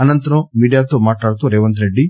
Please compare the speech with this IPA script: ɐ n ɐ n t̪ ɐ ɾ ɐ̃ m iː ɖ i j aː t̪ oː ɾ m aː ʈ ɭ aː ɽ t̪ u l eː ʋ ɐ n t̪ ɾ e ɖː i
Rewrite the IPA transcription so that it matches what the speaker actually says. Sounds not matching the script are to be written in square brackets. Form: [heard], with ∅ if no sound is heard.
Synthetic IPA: ɐ n ɐ n t̪ ɐ ɾ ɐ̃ m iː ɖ i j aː t̪ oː [∅] m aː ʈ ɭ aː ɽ t̪ u [ɾ] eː ʋ ɐ n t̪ ɾ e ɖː i

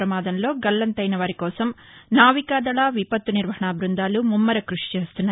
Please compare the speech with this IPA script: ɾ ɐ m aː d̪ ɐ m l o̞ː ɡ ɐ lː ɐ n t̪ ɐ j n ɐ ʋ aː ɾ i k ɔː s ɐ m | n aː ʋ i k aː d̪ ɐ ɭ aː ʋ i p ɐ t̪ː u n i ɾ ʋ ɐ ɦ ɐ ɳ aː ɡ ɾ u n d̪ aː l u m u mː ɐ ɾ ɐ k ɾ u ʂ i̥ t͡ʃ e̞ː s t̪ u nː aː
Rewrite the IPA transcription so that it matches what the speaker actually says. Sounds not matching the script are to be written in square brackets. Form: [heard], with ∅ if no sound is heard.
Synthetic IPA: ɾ ɐ m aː d̪ ɐ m l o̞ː ɡ ɐ lː ɐ n t̪ ɐ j n ɐ ʋ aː ɾ i k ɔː s ɐ m | n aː ʋ i k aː d̪ ɐ ɭ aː ʋ i p ɐ t̪ː u n i ɾ ʋ ɐ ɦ ɐ ɳ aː [b] ɾ u n d̪ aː l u m u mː ɐ ɾ ɐ k ɾ u ʂ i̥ t͡ʃ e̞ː s t̪ u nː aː

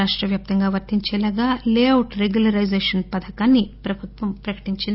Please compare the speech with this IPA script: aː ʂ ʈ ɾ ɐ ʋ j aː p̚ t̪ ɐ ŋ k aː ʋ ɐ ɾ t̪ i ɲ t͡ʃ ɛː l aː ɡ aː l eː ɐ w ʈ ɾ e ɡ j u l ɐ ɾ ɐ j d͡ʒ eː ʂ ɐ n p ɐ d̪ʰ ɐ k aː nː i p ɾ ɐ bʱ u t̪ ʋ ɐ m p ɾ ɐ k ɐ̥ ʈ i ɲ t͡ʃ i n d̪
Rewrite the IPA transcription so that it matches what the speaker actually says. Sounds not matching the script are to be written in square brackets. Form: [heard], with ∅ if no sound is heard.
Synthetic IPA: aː ʂ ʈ ɾ ɐ ʋ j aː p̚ t̪ ɐ ŋ [ɡ] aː ʋ ɐ ɾ t̪ i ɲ t͡ʃ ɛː l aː ɡ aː l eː ɐ w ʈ ɾ e ɡ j u l ɐ ɾ ɐ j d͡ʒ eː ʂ ɐ n p ɐ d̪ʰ ɐ k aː nː i p ɾ ɐ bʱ u t̪ ʋ ɐ m p ɾ ɐ k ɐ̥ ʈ i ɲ t͡ʃ i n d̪

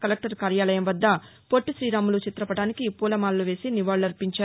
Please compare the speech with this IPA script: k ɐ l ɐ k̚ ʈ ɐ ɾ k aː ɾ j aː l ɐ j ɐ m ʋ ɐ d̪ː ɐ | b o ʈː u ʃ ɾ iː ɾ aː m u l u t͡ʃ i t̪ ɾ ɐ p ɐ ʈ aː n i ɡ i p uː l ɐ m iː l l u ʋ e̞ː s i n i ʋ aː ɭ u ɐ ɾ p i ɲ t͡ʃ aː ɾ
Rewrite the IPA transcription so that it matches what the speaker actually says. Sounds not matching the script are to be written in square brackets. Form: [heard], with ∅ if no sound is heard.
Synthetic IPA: k ɐ l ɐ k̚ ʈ ɐ ɾ k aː ɾ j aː l ɐ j ɐ m ʋ ɐ d̪ː ɐ | [p] o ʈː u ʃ ɾ iː ɾ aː m u l u t͡ʃ i t̪ ɾ ɐ p ɐ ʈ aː n i [k] i p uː l ɐ m [aː] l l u ʋ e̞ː s i n i ʋ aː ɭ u ɐ ɾ p i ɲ t͡ʃ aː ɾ

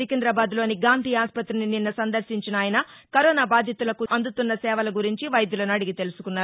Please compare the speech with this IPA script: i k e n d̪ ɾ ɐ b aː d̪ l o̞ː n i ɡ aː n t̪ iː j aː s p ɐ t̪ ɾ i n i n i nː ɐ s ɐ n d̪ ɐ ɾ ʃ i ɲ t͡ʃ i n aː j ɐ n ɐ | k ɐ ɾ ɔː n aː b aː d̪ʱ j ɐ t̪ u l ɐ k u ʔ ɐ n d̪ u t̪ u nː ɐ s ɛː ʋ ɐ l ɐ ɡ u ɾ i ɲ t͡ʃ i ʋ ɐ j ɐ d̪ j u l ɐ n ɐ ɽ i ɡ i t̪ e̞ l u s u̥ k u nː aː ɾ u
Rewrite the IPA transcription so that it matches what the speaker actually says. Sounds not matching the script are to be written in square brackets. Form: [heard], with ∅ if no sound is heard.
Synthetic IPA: i k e n d̪ ɾ ɐ b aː d̪ l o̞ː n i ɡ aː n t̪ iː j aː s p ɐ t̪ ɾ i n i n i nː ɐ s ɐ n d̪ ɐ ɾ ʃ i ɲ t͡ʃ i n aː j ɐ n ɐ | k ɐ ɾ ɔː n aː b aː d̪ʱ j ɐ t̪ u l ɐ k u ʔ ɐ n d̪ u t̪ u nː ɐ s ɛː ʋ ɐ l ɐ ɡ u ɾ i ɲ t͡ʃ i ʋ ɐ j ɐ d̪ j u l ɐ n ɐ ɽ i ɡ i t̪ e̞ l u s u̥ k u nː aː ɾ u

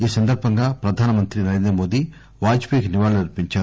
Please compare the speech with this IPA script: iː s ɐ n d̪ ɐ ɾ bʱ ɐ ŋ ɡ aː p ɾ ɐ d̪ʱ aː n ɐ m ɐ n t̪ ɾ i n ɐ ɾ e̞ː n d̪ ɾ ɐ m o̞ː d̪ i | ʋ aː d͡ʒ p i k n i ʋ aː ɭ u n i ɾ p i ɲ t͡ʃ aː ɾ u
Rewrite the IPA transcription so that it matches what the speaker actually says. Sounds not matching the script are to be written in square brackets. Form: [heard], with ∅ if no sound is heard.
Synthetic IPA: iː s ɐ n d̪ ɐ ɾ bʱ ɐ ŋ ɡ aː p ɾ ɐ d̪ʱ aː n ɐ m ɐ n t̪ ɾ i n ɐ ɾ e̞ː n d̪ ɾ ɐ m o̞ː d̪ i | ʋ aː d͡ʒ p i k n i ʋ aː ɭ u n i ɾ p i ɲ t͡ʃ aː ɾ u

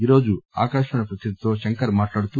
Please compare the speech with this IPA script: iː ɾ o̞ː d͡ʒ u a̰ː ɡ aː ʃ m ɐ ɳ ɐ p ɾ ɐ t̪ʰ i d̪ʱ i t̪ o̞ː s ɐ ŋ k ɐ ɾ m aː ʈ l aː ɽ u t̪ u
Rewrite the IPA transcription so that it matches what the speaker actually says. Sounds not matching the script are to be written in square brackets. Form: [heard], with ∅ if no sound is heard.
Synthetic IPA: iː ɾ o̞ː d͡ʒ u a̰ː [k] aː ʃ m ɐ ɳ ɐ p ɾ ɐ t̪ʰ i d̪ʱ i t̪ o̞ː [ʃ] ɐ ŋ k ɐ ɾ m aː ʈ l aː ɽ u t̪ u

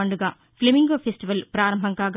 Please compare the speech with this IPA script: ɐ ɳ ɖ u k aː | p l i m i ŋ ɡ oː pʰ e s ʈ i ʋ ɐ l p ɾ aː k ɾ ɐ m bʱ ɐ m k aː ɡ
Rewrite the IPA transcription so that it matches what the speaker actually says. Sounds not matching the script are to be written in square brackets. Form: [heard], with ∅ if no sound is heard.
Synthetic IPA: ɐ ɳ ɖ u [ɡ] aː | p l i m i ŋ ɡ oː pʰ e s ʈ i ʋ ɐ l p ɾ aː [∅] ɾ ɐ m bʱ ɐ [ŋ] k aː ɡ

